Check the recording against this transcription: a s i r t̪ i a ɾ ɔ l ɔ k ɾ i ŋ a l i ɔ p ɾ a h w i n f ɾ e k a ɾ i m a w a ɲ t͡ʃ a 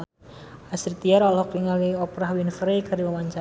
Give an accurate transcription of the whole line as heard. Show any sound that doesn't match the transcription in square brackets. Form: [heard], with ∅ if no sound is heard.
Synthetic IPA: a s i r t̪ i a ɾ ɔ l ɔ k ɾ i ŋ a l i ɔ p ɾ a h w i n f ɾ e k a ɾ i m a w a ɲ t͡ʃ a